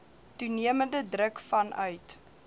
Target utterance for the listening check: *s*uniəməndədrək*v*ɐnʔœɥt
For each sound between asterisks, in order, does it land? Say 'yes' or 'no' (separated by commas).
no, no